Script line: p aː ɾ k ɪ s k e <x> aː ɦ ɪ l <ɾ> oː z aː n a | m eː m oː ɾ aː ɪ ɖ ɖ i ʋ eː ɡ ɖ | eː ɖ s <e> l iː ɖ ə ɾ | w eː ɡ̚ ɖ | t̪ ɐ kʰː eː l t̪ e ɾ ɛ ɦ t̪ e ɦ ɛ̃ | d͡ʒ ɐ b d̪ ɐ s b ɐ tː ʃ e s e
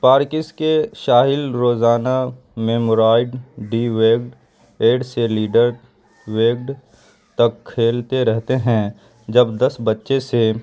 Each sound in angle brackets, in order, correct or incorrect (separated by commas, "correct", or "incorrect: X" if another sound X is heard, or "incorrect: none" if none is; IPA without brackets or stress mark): incorrect: ʃ, correct, correct